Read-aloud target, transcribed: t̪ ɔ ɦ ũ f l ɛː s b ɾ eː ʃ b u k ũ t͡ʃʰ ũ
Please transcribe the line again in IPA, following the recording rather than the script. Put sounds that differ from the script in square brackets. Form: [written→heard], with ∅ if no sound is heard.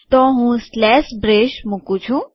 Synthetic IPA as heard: t̪ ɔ ɦ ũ [f→s] l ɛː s b ɾ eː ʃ [b→m] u k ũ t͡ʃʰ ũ